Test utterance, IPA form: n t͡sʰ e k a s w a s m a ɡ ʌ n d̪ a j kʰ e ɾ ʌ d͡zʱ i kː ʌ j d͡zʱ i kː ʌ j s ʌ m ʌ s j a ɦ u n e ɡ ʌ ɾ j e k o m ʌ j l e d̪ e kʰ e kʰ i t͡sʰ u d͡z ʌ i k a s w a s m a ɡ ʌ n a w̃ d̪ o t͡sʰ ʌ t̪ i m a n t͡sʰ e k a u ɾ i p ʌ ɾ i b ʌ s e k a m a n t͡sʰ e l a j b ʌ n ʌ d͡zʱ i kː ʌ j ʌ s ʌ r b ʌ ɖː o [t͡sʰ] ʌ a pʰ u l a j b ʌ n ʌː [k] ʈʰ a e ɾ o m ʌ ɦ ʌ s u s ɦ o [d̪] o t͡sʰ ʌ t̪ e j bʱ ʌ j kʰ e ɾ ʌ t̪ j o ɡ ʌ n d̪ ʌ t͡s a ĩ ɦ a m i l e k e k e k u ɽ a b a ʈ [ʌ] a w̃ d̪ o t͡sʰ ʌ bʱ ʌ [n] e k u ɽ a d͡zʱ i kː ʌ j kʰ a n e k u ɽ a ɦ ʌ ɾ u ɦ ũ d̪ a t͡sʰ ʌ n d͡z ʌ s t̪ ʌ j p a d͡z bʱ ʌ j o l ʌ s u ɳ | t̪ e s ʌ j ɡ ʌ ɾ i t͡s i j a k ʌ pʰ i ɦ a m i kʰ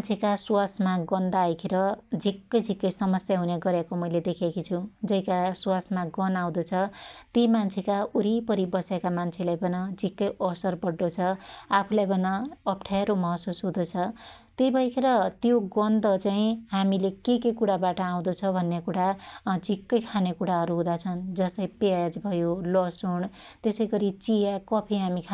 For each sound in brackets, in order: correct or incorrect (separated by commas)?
correct, incorrect, correct, correct, incorrect